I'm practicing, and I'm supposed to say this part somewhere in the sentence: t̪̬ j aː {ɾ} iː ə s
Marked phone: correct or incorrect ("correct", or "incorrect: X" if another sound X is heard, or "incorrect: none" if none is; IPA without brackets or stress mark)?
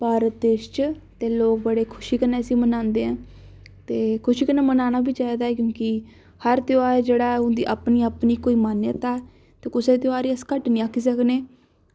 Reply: correct